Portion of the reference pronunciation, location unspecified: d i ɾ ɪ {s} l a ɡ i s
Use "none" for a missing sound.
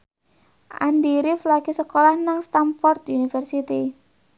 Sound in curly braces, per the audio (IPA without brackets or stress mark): f